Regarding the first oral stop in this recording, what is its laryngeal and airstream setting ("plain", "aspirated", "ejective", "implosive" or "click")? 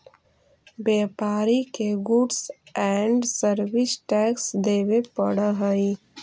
plain